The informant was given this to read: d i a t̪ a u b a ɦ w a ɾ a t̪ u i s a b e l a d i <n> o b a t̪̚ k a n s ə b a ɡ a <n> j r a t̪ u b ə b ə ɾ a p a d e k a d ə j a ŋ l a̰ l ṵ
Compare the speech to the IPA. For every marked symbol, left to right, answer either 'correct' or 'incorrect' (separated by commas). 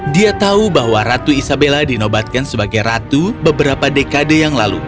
correct, incorrect